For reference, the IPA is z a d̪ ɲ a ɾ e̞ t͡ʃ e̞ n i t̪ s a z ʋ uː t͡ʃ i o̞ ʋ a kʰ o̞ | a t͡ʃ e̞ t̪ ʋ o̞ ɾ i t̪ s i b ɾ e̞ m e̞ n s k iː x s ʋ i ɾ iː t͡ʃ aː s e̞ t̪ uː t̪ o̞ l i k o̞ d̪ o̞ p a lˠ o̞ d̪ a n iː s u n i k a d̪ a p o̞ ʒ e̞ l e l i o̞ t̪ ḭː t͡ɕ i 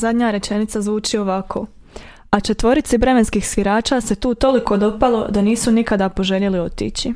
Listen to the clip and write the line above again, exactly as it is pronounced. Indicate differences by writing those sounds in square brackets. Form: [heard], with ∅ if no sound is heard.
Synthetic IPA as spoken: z a d̪ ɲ a ɾ e̞ t͡ʃ e̞ n i t̪ s a z ʋ uː t͡ʃ i o̞ ʋ a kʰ o̞ | a t͡ʃ e̞ t̪ ʋ o̞ ɾ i t̪ s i b ɾ e̞ m e̞ n s k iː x s ʋ i ɾ [aː] t͡ʃ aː s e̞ t̪ uː t̪ o̞ l i k o̞ d̪ o̞ p a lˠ o̞ d̪ a n iː s u n i k a d̪ a p o̞ ʒ e̞ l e l i o̞ t̪ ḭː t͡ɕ i